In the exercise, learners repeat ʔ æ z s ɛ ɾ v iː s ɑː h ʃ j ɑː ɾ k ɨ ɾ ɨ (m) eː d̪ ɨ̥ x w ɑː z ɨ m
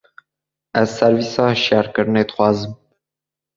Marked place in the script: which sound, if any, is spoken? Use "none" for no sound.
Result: n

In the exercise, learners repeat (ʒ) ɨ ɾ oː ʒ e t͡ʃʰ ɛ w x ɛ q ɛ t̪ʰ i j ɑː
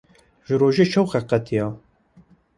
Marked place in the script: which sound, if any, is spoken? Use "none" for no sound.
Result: ʒ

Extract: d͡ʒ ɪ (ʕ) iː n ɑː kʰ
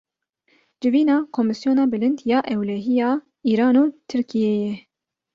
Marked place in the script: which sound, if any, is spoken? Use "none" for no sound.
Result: v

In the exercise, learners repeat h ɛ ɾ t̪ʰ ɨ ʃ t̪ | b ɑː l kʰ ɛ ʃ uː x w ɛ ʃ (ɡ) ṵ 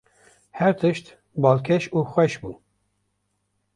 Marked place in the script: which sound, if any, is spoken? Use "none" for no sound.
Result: b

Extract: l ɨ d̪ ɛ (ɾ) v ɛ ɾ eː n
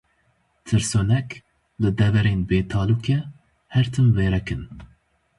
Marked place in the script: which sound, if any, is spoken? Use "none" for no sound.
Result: none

